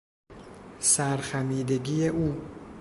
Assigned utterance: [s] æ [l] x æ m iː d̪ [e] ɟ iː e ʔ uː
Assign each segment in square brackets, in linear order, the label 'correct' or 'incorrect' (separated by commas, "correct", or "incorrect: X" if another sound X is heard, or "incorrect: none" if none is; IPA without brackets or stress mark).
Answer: correct, incorrect: ɾ, correct